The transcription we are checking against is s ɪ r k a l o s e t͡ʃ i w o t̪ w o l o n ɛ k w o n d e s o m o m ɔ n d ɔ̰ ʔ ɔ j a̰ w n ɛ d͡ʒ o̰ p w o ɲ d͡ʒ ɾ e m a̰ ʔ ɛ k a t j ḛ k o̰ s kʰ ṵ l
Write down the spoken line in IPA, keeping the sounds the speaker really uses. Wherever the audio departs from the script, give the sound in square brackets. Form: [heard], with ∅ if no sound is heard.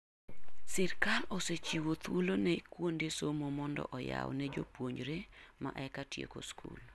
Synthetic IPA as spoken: s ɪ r k a l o s e t͡ʃ i w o t̪ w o l o n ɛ k w o n d e s o m o m ɔ n d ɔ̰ ʔ ɔ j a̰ w n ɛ d͡ʒ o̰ p w o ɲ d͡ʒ ɾ e m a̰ ʔ ɛ k a t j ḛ k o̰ s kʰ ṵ l